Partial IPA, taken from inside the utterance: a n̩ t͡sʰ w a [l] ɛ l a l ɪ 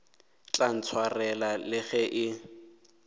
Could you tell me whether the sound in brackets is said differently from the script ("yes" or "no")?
yes